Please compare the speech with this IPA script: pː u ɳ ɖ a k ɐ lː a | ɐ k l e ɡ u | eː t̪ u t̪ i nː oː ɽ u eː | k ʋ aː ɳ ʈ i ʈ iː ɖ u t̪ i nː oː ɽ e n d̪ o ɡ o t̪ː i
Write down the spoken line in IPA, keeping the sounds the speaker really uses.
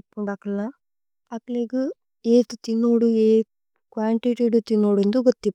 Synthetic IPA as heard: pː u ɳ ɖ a k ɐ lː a | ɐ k l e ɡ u | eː t̪ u t̪ i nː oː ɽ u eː | k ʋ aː ɳ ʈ i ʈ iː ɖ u t̪ i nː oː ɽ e n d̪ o ɡ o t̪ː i